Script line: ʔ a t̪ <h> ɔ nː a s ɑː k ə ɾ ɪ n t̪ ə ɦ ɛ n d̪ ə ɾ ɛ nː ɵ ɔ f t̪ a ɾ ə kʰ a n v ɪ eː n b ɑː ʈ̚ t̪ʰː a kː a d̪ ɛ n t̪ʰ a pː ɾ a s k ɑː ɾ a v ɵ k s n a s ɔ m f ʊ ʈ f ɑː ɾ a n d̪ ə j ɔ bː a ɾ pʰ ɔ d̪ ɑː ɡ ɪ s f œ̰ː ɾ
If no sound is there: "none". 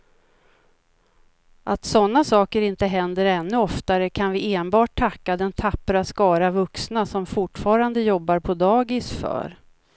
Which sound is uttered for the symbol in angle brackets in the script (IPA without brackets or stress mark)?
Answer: s